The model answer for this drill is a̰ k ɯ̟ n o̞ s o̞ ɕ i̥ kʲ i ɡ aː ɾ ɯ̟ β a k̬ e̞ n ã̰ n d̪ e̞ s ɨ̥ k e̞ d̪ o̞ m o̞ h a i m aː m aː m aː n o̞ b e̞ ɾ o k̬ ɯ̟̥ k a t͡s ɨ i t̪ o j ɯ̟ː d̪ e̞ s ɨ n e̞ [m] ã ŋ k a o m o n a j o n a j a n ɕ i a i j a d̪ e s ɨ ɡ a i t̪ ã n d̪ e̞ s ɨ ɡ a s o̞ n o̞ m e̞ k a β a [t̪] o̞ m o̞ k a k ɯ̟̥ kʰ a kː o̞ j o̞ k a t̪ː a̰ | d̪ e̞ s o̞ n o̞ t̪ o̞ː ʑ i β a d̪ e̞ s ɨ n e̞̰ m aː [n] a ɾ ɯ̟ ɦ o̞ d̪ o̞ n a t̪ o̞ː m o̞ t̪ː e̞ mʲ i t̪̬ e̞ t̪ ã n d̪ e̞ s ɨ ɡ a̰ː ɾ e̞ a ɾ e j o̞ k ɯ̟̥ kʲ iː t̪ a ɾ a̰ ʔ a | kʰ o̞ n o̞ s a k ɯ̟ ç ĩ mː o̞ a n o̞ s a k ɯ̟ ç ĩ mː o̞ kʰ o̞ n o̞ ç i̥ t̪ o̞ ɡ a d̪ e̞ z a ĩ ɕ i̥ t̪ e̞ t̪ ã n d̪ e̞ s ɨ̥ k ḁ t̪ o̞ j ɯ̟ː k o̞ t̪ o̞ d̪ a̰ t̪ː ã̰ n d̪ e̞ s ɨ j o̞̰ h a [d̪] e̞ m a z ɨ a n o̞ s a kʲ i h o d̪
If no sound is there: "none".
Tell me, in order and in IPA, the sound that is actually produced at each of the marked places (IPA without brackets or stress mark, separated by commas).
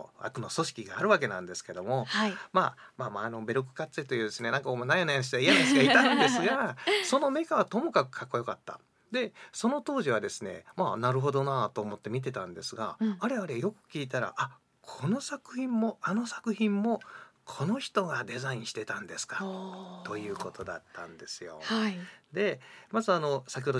n, t̪, n, d̪